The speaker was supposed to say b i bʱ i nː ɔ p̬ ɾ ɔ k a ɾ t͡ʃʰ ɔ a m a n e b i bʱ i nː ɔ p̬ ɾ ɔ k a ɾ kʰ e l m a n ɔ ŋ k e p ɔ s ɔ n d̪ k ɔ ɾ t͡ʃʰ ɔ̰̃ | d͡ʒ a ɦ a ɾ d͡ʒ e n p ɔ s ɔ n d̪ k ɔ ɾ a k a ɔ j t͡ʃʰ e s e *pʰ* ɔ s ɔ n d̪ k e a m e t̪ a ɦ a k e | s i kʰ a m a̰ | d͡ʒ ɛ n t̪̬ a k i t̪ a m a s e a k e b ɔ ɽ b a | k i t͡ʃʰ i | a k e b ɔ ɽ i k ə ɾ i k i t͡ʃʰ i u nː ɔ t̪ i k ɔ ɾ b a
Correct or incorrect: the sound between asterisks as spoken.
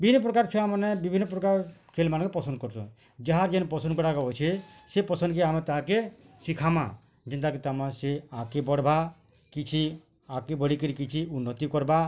incorrect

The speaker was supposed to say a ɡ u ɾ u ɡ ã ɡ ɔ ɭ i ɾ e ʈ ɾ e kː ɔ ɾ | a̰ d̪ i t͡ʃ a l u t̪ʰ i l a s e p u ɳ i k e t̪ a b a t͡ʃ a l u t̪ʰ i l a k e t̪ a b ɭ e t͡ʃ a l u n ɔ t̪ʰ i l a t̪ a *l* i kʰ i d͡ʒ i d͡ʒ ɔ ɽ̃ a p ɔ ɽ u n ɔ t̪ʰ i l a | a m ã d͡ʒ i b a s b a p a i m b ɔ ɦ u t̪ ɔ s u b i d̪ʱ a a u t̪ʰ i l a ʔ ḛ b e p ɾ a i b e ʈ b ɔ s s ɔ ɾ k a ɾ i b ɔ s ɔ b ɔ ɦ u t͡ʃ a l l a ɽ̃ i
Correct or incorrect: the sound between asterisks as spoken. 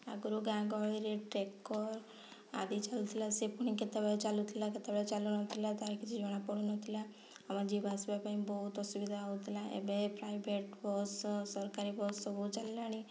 incorrect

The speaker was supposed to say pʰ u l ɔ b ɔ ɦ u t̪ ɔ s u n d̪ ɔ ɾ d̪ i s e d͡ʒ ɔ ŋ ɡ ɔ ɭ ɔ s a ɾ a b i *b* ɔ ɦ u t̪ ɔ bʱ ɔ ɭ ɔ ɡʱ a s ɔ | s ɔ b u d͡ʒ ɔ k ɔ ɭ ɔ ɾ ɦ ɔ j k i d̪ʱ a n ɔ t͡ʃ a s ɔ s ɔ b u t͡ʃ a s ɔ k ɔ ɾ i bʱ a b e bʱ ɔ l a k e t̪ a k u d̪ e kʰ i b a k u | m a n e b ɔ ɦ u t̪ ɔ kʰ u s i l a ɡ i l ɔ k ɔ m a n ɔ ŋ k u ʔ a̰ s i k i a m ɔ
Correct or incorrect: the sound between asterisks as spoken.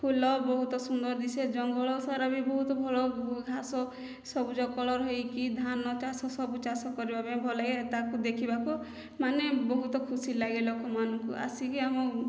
correct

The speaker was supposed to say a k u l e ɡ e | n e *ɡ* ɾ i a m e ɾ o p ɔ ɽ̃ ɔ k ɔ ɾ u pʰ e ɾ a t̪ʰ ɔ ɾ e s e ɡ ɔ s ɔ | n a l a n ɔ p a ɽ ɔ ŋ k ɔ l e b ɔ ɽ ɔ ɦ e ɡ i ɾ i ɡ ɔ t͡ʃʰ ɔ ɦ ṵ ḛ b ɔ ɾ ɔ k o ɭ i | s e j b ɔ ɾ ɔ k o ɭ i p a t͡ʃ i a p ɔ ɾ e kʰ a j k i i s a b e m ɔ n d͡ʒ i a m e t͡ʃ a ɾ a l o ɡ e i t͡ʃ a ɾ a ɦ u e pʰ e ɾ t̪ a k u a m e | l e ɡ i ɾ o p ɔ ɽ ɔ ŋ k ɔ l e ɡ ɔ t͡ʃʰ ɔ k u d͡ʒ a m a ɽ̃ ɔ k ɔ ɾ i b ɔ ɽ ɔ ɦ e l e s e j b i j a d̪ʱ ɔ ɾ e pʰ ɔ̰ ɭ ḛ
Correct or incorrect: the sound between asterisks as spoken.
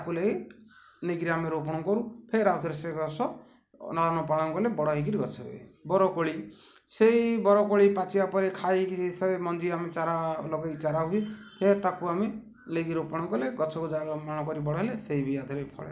correct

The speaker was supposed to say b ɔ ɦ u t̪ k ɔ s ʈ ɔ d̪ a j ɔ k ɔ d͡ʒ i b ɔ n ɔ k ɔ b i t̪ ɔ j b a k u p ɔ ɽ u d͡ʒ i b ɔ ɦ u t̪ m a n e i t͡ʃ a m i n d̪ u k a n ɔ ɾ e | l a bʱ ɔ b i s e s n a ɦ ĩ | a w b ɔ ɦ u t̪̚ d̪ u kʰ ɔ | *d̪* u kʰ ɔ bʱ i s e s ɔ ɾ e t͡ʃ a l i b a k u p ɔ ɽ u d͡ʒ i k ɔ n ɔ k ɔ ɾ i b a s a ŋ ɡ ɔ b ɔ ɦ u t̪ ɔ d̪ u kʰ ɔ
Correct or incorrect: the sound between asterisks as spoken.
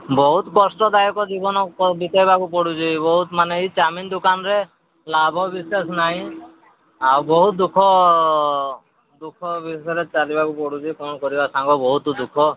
correct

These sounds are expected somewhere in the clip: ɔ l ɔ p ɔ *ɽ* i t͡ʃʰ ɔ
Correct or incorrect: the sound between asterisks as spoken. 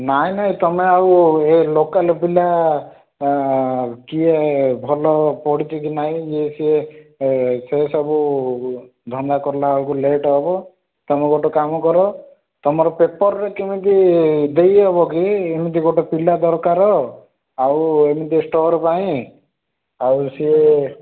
correct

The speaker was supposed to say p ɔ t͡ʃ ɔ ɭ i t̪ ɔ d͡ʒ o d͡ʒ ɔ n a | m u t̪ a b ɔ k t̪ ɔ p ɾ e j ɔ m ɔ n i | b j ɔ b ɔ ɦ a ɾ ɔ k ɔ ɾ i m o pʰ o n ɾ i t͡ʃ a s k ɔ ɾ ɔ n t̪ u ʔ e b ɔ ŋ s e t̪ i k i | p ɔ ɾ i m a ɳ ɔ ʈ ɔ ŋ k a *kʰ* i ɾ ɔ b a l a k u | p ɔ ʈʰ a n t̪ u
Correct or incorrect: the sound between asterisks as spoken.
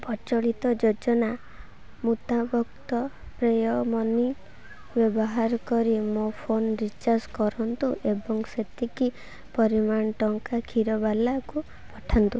correct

